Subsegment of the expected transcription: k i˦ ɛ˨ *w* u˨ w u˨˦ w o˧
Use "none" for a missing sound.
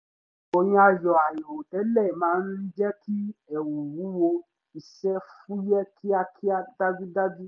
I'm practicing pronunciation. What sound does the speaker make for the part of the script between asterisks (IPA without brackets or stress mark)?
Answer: w